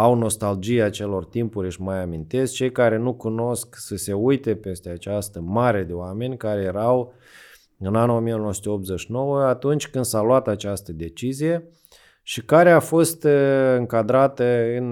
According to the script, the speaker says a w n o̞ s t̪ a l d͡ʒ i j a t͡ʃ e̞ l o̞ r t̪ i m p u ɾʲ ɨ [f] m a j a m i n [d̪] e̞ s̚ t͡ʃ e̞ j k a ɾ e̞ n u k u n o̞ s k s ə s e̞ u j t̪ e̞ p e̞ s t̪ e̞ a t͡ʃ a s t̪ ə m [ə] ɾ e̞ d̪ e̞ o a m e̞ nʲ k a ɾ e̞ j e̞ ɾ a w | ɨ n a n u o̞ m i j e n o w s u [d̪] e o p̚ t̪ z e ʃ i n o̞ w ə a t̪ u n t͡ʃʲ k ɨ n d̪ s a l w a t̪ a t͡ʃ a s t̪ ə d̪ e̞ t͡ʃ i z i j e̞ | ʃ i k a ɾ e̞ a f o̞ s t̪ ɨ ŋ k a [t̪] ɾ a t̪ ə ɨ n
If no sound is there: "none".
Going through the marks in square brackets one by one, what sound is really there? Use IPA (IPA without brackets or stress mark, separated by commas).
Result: ʃ, t̪, a, t̪, d̪